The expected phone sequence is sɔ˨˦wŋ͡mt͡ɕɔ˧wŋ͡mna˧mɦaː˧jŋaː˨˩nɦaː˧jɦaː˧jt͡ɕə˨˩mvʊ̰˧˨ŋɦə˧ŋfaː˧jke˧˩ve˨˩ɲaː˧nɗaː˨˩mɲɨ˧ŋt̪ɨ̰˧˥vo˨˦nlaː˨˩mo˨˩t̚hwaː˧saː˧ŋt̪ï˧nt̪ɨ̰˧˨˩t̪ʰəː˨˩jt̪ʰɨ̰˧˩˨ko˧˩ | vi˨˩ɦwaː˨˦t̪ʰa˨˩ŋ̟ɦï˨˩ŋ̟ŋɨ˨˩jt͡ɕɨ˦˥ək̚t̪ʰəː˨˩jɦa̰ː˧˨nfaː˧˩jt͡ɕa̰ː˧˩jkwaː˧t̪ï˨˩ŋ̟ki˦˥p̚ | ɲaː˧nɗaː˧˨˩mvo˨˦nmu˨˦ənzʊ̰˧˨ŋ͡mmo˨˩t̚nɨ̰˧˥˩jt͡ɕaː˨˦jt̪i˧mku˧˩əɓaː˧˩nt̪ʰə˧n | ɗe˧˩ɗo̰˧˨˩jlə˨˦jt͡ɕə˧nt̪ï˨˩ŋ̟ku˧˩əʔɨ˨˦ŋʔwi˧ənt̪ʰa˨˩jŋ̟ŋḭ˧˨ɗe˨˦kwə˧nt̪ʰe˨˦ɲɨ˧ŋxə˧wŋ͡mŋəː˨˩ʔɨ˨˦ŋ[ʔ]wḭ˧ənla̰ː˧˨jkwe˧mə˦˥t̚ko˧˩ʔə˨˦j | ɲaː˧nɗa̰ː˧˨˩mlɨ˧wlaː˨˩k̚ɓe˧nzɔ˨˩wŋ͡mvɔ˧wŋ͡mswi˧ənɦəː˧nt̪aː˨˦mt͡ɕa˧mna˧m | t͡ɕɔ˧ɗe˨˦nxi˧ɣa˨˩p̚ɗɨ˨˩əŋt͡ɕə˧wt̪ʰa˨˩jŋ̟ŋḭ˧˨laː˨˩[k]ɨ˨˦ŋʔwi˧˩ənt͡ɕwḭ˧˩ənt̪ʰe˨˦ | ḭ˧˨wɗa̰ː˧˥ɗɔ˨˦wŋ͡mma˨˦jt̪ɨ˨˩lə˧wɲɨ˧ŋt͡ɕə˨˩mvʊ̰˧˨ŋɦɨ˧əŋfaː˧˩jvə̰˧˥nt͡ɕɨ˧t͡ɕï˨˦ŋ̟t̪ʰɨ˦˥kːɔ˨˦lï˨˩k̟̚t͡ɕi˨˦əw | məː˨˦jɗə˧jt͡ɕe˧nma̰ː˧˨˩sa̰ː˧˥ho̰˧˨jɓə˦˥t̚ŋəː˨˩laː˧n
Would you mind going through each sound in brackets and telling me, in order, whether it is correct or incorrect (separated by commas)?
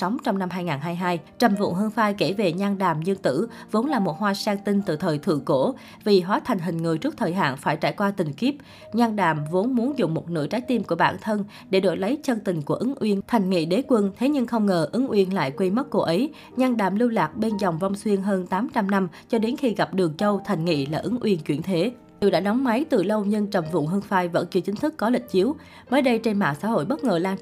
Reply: correct, incorrect